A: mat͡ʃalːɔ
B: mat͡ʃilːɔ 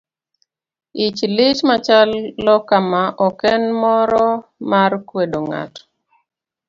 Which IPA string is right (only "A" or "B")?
A